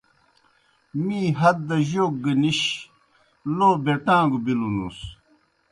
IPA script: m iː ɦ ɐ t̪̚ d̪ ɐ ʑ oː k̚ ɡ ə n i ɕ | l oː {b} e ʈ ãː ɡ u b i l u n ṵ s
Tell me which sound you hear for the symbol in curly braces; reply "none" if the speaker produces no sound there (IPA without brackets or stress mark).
b